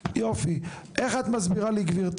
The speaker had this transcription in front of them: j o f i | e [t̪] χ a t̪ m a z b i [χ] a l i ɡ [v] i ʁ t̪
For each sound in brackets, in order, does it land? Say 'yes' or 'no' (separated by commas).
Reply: no, no, yes